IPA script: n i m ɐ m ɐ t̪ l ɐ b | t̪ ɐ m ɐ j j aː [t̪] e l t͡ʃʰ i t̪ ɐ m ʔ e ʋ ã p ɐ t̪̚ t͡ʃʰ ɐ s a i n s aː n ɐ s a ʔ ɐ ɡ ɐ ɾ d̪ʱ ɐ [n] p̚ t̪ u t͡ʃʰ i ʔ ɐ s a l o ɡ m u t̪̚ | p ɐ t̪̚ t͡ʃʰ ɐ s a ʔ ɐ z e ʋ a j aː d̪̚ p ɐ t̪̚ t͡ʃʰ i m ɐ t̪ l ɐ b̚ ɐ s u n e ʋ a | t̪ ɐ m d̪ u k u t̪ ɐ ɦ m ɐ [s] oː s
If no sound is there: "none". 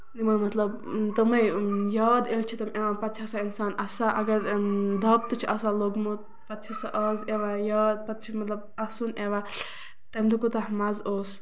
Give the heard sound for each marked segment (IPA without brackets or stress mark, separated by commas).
d̪, none, z